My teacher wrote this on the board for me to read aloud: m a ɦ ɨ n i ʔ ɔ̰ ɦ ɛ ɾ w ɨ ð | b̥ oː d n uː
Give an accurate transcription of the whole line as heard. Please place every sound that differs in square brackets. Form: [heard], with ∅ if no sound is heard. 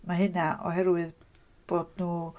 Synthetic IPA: m a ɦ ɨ n [a] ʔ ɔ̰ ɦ ɛ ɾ w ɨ ð | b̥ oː d n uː